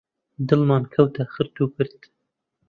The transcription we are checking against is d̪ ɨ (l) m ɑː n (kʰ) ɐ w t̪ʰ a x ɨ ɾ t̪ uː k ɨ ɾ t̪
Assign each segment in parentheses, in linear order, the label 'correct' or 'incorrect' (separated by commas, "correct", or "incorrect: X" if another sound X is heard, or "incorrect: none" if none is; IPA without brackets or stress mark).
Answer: correct, correct